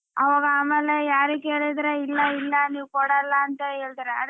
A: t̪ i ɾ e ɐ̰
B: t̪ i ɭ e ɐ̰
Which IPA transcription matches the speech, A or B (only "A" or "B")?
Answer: A